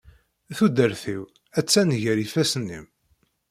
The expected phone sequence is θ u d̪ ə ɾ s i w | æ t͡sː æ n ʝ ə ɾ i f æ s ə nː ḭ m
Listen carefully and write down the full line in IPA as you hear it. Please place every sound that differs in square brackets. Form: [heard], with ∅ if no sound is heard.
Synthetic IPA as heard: θ u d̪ ə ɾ [θ] i w | æ t͡sː æ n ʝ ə ɾ i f æ s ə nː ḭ m